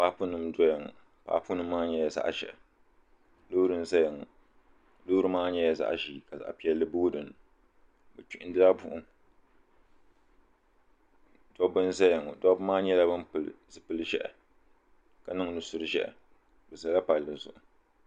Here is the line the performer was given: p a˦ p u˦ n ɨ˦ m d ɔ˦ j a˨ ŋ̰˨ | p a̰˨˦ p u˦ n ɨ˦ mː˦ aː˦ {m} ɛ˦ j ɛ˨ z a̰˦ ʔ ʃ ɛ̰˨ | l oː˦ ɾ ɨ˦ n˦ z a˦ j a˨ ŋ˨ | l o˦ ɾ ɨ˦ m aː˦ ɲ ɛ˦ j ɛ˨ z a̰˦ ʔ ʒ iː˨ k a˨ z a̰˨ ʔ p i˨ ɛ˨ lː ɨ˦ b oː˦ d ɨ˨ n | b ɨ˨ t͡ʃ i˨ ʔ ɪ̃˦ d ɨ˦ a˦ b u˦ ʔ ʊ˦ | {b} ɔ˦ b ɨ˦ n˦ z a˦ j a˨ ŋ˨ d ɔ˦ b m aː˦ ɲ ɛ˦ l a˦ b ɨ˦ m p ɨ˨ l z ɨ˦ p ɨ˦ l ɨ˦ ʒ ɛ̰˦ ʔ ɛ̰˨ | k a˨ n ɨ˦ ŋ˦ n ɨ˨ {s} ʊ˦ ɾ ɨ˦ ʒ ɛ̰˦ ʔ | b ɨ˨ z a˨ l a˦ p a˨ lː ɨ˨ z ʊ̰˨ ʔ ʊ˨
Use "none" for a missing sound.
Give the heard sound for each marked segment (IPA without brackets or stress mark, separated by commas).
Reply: ɲ, d, s